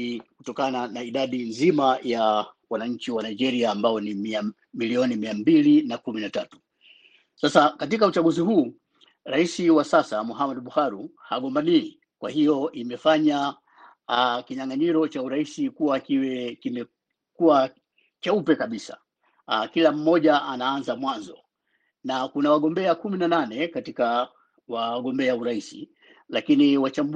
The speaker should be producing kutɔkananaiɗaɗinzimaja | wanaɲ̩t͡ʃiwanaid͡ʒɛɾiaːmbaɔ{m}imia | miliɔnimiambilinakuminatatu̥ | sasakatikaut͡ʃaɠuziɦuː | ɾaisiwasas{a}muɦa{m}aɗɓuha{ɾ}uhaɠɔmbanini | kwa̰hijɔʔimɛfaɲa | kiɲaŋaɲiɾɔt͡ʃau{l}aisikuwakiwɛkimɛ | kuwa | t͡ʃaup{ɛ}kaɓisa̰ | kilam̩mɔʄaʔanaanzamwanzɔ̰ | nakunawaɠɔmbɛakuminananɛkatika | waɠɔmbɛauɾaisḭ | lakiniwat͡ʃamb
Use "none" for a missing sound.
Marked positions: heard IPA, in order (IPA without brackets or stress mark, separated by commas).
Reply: n, a, m, ɾ, ɾ, ɛ